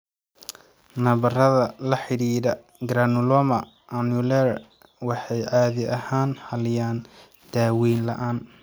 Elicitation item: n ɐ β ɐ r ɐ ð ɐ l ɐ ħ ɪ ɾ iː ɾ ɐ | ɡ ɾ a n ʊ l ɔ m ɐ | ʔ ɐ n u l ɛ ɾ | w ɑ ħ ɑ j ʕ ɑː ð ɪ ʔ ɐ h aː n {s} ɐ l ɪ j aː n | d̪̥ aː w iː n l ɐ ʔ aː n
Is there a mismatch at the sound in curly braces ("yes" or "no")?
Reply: yes